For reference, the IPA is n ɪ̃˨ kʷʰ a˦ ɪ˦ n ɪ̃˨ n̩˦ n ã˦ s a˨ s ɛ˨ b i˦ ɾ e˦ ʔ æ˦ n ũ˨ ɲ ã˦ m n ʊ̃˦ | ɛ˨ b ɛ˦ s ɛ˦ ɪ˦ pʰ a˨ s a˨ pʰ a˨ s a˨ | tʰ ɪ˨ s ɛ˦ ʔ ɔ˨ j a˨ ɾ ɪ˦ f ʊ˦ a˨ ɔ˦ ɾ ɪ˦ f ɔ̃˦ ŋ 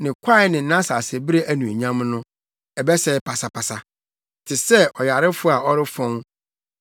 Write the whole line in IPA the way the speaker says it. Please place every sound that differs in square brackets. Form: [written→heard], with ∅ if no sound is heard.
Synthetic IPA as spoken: n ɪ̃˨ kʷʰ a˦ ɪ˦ n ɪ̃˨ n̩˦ n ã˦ s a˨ s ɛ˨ b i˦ ɾ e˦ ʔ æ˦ n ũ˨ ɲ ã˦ m n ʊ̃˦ | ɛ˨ b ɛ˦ s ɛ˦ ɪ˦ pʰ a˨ s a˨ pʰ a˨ s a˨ | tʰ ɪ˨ s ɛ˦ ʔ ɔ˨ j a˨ ɾ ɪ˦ f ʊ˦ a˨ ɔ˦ ɾ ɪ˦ f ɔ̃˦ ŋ